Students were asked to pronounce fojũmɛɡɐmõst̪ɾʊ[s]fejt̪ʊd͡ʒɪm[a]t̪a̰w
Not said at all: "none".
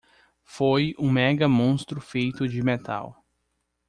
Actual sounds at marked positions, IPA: none, e

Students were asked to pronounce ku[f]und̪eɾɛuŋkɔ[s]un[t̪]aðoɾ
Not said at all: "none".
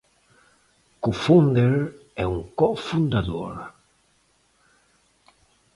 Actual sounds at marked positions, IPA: f, f, d̪

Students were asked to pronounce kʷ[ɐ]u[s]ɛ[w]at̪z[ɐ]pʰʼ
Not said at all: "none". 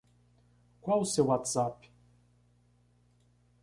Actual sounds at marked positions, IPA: a, s, w, a

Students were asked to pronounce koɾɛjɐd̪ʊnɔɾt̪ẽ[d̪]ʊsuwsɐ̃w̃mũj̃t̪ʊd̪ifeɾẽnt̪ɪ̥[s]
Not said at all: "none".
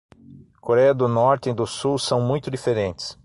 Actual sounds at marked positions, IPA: d̪, s

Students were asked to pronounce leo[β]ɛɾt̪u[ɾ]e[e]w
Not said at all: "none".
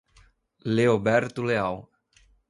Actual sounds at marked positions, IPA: b, l, a

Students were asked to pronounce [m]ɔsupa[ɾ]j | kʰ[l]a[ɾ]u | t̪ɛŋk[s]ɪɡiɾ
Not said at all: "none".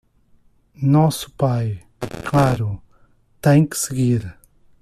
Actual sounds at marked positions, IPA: n, none, l, ɾ, s

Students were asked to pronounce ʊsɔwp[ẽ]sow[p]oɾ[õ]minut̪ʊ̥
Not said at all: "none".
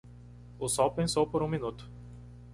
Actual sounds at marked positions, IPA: ẽ, p, ũ

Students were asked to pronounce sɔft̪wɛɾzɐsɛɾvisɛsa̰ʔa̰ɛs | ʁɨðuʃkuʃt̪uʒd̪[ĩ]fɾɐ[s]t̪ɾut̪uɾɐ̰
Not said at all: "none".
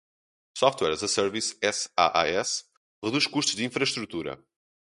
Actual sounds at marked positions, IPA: ĩ, ʃ

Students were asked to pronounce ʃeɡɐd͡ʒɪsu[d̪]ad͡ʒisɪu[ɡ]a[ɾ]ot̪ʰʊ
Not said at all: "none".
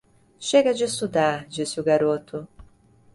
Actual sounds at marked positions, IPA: d̪, ɡ, ɾ

